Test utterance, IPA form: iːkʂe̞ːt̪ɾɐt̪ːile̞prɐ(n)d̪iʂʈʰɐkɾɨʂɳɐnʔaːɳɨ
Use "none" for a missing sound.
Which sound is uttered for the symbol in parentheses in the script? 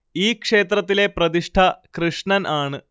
none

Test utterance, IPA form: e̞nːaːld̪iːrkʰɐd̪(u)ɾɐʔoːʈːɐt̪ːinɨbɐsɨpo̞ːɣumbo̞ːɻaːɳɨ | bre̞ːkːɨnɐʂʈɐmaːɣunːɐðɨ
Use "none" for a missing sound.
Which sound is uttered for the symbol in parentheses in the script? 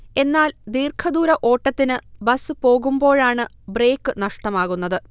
uː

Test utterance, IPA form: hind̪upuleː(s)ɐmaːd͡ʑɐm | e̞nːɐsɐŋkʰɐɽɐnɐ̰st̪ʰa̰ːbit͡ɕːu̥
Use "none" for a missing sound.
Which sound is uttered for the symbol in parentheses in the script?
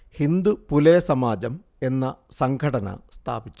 s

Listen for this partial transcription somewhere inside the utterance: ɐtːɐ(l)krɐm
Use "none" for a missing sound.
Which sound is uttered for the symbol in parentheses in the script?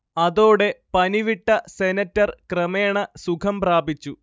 r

